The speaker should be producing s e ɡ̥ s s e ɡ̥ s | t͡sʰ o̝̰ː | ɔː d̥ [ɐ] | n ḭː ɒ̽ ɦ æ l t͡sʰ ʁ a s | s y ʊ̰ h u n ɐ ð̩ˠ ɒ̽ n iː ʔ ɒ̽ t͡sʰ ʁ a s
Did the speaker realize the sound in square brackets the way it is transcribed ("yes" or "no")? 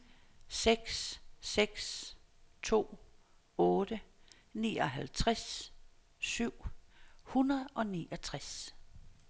no